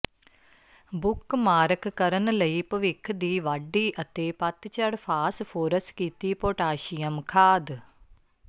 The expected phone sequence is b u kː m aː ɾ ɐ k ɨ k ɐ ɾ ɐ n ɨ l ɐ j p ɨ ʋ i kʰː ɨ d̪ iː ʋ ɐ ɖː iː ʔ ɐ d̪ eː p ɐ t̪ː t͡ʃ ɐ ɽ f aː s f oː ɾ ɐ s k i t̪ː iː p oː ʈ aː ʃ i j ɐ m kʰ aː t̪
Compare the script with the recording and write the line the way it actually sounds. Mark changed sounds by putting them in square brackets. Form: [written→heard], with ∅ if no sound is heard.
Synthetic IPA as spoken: b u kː m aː ɾ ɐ k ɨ k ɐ ɾ ɐ n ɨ l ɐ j p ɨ ʋ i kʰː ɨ d̪ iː ʋ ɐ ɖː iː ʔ ɐ [d̪→t̪] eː p ɐ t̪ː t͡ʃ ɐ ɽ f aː s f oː ɾ ɐ s k i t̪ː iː p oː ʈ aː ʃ i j ɐ m kʰ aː [t̪→d̪]